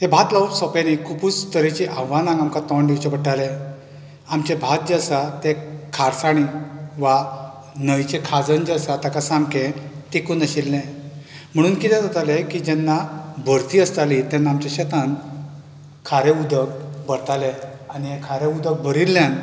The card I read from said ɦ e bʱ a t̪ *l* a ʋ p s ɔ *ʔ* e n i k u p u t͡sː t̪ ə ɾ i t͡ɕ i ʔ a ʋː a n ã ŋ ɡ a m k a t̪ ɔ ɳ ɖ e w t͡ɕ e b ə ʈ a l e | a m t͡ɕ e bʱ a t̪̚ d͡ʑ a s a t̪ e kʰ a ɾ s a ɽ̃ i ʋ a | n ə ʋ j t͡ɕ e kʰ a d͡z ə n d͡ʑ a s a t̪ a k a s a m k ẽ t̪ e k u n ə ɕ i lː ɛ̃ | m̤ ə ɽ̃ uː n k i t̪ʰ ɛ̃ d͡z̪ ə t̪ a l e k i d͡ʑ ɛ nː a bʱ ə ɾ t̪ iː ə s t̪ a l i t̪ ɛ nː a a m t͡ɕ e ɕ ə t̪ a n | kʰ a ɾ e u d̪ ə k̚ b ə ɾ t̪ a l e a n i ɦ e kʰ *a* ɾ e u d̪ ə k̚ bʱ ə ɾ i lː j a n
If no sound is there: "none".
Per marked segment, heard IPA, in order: l, p, a

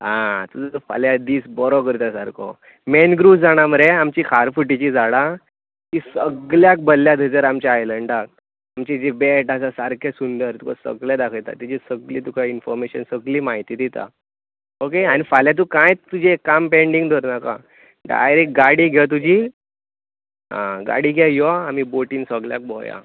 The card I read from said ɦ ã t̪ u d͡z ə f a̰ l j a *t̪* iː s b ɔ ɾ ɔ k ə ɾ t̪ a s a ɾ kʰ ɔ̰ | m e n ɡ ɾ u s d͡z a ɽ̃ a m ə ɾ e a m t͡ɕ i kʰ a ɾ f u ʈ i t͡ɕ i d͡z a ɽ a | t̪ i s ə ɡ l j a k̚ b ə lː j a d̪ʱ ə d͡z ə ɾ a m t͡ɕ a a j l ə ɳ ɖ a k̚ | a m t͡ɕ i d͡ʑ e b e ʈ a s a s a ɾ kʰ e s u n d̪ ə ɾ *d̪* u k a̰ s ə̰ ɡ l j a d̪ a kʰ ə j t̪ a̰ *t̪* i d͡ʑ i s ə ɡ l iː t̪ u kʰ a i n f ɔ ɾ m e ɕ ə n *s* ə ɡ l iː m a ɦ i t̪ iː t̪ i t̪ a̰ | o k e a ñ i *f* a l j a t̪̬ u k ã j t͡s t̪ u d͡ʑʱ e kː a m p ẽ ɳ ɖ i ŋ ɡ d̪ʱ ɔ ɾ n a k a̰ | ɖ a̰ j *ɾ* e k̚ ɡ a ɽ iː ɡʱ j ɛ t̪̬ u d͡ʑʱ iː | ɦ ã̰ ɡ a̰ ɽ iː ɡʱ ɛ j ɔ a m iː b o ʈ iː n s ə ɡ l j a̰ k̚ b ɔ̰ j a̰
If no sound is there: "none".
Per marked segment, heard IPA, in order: d̪, t̪, t̪, s, f, ɾ

